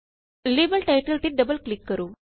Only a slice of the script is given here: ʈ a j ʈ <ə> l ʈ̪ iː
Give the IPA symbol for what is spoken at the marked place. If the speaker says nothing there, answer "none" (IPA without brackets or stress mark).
ə